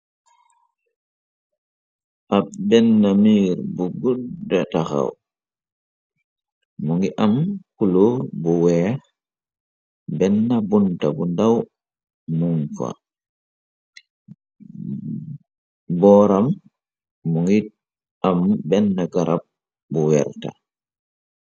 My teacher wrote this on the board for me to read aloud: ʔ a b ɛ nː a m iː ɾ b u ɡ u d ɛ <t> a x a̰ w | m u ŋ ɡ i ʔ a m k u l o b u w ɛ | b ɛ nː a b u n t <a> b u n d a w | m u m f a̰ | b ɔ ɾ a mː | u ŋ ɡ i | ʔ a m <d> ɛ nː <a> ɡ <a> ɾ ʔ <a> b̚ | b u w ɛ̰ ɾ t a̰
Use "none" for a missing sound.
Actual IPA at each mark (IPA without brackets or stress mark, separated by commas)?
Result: t, a, b, a, a, a